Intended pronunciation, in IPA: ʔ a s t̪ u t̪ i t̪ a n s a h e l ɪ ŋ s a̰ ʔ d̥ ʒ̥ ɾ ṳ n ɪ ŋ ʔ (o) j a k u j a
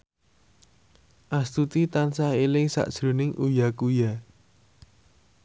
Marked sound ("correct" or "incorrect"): incorrect